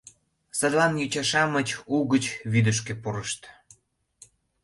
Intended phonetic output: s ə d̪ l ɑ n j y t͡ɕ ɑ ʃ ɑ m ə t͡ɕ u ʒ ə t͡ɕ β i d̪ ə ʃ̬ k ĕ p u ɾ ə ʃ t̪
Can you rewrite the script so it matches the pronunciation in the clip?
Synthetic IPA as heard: s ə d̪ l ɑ n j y t͡ɕ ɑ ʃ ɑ m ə t͡ɕ u ɣ ə t͡ɕ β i d̪ ə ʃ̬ k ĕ p u ɾ ə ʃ t̪